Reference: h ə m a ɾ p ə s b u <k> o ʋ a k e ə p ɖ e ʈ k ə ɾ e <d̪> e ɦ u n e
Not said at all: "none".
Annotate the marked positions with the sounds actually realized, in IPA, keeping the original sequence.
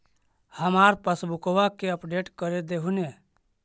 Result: k, d̪

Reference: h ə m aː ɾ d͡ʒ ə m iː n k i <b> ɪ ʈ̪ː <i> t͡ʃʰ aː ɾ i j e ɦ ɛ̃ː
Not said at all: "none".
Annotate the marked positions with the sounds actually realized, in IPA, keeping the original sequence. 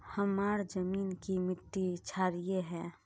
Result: m, i

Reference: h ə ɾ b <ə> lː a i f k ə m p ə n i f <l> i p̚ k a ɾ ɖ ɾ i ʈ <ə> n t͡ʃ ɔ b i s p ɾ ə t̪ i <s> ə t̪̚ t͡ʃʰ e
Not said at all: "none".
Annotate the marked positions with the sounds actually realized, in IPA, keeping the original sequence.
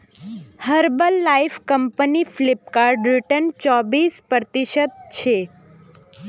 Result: ə, l, ə, ʃ

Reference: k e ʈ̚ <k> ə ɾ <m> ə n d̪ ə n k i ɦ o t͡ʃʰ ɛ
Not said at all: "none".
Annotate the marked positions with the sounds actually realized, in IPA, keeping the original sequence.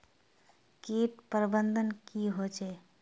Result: p, b

